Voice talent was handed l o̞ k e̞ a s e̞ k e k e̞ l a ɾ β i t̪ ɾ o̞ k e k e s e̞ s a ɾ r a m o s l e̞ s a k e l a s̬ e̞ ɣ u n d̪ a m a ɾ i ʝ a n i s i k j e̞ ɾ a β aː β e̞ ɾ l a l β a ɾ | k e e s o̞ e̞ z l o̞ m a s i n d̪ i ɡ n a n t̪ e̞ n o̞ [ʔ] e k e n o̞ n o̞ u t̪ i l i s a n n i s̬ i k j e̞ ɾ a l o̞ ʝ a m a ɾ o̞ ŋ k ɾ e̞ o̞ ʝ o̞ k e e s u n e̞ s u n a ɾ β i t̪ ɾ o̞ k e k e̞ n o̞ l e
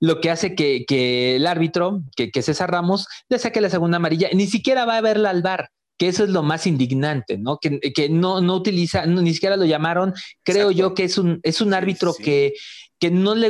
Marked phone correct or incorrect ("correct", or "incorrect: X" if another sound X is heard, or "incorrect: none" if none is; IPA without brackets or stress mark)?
incorrect: k